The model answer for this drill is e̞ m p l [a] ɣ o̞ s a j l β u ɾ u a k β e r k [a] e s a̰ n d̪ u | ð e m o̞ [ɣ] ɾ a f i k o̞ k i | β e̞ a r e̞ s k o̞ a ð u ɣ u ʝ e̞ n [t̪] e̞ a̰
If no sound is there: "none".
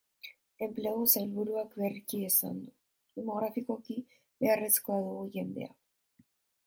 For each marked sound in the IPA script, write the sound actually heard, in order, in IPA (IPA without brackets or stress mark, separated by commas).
e, i, ɣ, d̪